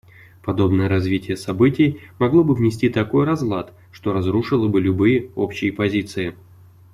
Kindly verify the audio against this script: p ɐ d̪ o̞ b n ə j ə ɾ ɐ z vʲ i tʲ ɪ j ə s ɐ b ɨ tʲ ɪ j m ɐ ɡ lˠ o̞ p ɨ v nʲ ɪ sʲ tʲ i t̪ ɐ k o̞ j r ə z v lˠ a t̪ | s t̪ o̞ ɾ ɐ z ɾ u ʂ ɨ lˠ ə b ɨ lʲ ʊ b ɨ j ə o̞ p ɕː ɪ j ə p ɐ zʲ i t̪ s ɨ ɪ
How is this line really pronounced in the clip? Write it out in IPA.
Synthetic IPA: p ɐ d̪ o̞ b n ə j ə ɾ ɐ z vʲ i tʲ ɪ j ə s ɐ b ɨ tʲ ɪ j m ɐ ɡ lˠ o̞ b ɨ v nʲ ɪ sʲ tʲ i t̪ ɐ k o̞ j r ɐ z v lˠ a t̪ | ʂ t̪ o̞ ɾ ɐ z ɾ u ʂ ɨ lˠ ə b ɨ lʲ ʊ b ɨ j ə o̞ p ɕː ɪ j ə p ɐ zʲ i t̪ s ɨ ɪ